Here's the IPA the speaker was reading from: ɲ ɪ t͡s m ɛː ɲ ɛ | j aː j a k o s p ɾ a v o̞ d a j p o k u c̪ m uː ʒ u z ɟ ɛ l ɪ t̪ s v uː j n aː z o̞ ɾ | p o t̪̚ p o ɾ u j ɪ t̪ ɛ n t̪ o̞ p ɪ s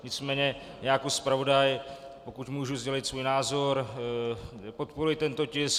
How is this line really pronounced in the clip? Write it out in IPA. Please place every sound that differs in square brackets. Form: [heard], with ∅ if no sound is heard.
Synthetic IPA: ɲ ɪ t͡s m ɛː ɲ ɛ | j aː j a k o s p ɾ a v o̞ d a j p o k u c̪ m uː ʒ u z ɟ ɛ l ɪ t̪ s v uː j n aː z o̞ ɾ | p o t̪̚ p o ɾ u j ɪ t̪ ɛ n t̪ o̞ [c] ɪ s